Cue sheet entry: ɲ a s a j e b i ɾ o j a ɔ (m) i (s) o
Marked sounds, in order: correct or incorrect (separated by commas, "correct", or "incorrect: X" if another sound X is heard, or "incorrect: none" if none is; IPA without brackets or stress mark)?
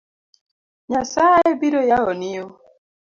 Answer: incorrect: n, incorrect: none